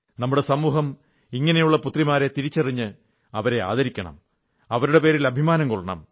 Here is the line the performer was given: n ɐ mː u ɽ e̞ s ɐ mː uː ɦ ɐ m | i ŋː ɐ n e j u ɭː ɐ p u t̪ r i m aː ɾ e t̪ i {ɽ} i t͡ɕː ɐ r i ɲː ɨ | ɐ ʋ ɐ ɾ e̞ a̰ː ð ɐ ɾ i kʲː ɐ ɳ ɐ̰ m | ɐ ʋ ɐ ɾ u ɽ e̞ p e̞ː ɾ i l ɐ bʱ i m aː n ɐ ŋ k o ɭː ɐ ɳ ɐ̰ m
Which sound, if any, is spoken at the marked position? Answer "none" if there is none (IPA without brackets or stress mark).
ɾ